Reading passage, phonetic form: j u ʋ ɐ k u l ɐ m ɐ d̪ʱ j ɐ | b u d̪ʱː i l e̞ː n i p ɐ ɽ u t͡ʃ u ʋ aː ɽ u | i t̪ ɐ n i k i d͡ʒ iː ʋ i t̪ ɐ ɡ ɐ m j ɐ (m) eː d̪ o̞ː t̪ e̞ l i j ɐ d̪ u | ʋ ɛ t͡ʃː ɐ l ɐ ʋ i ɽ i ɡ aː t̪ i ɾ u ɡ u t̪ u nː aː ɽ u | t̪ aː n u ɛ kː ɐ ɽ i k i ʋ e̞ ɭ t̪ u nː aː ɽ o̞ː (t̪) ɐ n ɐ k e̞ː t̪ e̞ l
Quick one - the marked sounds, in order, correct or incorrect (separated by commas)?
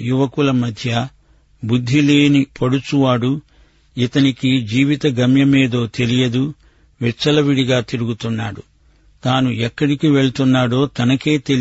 correct, correct